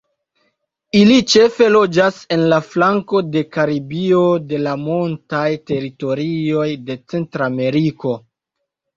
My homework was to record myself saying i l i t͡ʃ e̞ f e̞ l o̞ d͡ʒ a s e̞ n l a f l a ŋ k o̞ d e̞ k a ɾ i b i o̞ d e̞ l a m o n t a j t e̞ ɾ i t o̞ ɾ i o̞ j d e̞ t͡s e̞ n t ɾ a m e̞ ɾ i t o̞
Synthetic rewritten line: i l i t͡ʃ e̞ f e̞ l o̞ d͡ʒ a s e̞ n l a f l a ŋ k o̞ d e̞ k a ɾ i b i o̞ d e̞ l a m o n t a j t e̞ ɾ i t o̞ ɾ i o̞ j d e̞ t͡s e̞ n t ɾ a m e̞ ɾ i k o̞